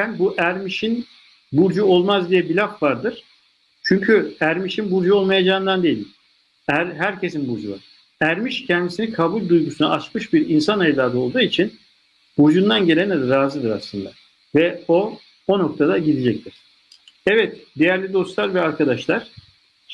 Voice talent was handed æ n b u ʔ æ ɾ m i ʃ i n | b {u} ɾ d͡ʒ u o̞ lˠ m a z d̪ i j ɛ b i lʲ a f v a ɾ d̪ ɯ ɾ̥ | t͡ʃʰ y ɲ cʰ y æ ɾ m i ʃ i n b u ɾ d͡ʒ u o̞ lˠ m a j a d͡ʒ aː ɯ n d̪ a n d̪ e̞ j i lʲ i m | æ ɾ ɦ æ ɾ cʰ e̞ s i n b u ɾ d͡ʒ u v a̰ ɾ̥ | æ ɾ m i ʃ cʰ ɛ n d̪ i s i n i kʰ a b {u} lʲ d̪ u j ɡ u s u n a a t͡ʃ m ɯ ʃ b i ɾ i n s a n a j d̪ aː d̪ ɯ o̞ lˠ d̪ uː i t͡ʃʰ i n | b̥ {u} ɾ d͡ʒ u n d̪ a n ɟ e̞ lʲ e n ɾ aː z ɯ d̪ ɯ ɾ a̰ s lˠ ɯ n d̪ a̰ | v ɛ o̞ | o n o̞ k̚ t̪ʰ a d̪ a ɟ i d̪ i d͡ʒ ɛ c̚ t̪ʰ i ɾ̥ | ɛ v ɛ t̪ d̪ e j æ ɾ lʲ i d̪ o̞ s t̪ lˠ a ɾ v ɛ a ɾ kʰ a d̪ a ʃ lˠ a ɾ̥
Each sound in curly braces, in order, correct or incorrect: correct, correct, correct

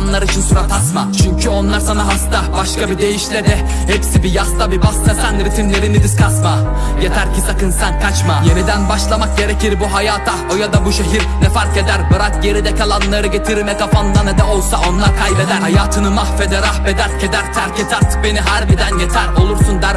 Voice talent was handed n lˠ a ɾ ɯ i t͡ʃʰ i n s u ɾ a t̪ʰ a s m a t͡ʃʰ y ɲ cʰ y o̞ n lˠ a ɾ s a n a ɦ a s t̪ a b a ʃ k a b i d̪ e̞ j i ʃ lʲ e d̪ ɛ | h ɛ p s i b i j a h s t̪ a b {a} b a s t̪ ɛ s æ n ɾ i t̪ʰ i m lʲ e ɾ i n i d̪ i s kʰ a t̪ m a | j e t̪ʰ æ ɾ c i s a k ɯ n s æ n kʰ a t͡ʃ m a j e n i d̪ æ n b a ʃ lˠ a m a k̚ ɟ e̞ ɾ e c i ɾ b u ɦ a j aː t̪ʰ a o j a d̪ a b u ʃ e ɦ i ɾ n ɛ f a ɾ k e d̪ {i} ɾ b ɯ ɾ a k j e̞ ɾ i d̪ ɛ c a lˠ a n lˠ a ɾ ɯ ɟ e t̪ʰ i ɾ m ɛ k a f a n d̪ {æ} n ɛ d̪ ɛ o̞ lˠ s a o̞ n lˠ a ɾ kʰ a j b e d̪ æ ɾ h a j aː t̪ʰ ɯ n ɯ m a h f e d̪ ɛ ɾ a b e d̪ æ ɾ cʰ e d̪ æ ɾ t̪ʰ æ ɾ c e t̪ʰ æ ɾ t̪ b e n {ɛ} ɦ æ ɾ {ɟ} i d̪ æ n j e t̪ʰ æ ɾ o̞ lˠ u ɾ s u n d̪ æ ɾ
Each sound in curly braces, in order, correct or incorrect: incorrect, incorrect, incorrect, incorrect, incorrect

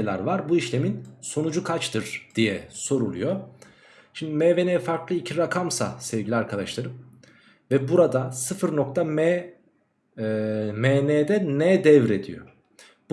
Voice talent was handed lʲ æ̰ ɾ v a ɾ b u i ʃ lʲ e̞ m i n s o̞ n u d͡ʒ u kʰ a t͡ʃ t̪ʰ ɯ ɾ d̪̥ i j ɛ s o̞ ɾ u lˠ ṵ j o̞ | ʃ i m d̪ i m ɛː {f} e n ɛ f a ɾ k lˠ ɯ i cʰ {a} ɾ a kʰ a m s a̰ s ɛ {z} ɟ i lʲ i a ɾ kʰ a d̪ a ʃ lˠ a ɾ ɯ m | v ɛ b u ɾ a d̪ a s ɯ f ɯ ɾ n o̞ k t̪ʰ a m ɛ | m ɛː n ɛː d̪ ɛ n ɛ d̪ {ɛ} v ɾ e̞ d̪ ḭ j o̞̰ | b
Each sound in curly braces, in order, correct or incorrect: incorrect, incorrect, incorrect, correct

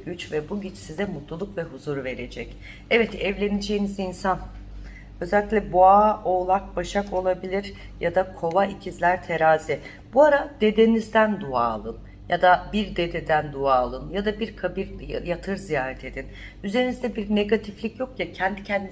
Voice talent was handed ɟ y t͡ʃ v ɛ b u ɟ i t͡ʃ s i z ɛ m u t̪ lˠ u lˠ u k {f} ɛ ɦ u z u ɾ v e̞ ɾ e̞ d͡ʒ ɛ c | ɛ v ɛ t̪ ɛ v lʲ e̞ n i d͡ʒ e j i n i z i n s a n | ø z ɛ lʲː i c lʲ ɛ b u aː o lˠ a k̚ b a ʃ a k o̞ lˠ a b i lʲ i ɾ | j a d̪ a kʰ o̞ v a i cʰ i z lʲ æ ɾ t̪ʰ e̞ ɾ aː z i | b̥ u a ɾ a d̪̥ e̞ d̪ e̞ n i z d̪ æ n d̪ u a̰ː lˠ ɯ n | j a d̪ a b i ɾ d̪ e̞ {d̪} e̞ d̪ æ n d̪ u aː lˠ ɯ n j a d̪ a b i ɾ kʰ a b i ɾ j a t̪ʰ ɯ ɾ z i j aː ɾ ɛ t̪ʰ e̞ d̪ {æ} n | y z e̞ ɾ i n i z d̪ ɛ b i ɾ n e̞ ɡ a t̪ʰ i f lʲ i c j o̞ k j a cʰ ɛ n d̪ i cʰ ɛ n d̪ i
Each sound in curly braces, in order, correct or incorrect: incorrect, correct, incorrect

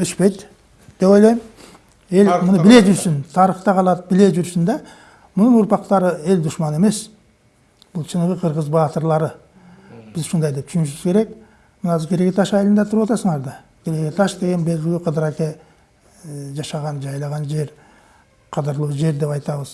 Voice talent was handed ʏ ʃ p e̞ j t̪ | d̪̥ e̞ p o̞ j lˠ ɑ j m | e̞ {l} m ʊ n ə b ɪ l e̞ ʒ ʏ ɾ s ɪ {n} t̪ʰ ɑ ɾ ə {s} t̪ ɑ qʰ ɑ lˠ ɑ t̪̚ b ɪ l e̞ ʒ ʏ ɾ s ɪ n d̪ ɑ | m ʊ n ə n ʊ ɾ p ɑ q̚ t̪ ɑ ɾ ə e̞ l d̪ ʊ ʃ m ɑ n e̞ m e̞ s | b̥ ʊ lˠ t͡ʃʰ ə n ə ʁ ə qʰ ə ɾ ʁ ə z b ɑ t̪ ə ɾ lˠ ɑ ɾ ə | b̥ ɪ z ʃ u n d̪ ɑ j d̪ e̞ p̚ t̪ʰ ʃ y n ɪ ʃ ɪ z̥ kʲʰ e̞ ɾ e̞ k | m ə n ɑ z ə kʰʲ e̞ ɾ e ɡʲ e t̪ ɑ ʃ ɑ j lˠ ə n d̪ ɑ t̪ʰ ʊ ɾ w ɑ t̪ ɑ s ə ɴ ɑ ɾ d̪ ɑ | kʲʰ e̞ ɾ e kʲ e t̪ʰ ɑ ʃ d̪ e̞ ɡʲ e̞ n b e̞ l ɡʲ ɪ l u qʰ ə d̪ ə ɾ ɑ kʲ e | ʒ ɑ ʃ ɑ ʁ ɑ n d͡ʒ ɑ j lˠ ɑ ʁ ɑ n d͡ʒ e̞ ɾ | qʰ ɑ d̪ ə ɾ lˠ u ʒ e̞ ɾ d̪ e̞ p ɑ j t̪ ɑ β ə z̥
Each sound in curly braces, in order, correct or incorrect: correct, correct, incorrect

